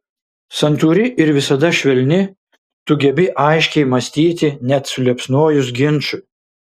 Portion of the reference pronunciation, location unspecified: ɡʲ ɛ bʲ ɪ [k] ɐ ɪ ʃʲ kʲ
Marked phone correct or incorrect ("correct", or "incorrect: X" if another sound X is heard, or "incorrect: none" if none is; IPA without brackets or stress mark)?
incorrect: ʔ